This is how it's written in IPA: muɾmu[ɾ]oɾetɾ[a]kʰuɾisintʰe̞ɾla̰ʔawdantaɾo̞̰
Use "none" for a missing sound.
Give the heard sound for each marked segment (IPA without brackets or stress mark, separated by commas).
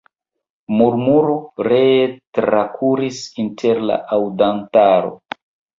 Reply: ɾ, a